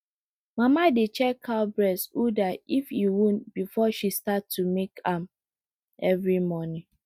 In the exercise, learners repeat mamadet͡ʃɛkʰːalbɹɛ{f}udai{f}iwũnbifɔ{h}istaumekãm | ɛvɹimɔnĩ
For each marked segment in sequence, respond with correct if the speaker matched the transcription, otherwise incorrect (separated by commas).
incorrect, correct, incorrect